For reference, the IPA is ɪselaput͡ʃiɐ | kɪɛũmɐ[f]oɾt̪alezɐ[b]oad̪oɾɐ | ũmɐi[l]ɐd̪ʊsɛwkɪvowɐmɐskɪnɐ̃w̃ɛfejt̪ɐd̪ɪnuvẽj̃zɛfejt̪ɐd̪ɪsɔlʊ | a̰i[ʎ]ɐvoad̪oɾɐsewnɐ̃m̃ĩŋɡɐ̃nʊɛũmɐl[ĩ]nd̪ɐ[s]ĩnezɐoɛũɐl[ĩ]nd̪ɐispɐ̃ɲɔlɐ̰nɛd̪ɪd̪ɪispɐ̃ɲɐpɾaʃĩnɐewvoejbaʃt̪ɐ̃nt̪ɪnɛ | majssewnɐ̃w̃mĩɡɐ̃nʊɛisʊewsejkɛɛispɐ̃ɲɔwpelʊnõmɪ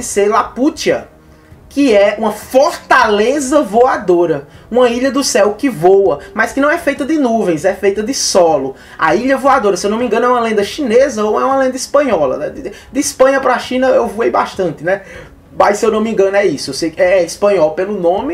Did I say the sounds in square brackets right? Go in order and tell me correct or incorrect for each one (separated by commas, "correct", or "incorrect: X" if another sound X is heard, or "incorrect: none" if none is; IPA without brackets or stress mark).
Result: correct, incorrect: v, incorrect: ʎ, correct, incorrect: ẽ, incorrect: ʃ, incorrect: ẽ